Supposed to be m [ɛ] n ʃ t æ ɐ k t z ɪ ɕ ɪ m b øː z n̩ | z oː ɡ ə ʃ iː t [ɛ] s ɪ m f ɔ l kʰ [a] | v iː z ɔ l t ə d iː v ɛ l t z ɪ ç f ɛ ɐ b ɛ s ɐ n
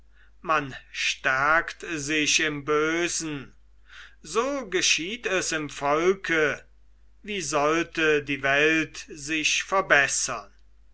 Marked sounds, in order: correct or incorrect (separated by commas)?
incorrect, correct, incorrect